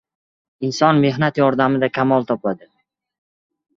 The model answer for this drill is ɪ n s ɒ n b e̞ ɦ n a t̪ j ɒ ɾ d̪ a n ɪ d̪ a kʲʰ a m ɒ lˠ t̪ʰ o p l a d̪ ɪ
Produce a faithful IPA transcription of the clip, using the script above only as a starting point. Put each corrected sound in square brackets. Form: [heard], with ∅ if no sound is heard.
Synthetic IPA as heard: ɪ n s ɒ n [m] e̞ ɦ n a t̪ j ɒ ɾ d̪ a [m] ɪ d̪ a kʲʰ a m ɒ lˠ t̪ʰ [ɒ] p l a d̪ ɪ